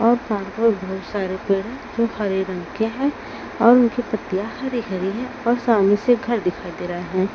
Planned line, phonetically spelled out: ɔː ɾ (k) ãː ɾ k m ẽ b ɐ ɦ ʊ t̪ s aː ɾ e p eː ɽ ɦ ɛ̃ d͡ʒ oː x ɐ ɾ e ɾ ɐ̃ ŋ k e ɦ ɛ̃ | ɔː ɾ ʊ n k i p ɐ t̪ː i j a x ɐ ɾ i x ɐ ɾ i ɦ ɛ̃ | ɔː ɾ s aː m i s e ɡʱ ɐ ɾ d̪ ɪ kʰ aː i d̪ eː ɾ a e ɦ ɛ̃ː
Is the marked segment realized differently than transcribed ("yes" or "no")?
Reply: yes